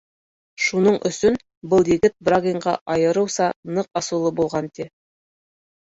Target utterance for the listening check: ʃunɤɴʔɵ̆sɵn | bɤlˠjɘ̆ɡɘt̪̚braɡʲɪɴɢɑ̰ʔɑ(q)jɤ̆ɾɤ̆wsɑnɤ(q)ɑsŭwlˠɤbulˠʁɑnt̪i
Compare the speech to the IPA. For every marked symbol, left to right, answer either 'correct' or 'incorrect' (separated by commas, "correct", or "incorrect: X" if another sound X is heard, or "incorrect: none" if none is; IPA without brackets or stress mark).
incorrect: none, correct